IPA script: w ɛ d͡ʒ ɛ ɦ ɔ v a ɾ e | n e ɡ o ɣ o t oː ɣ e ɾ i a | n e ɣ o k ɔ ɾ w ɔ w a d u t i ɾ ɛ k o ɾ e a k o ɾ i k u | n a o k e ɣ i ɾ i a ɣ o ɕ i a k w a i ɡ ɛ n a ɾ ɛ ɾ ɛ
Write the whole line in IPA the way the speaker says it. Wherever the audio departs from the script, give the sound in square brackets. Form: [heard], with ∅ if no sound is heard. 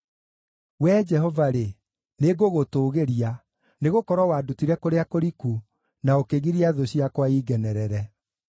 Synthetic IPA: w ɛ d͡ʒ ɛ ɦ ɔ v a ɾ e | n e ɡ o ɣ o t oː ɣ e ɾ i a | n e ɣ o k ɔ ɾ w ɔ w a d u t i ɾ ɛ k o ɾ e a k o ɾ i k u | n a o k e ɣ i ɾ i a [ð] o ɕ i a k w a i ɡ ɛ n [ɛ] ɾ ɛ ɾ ɛ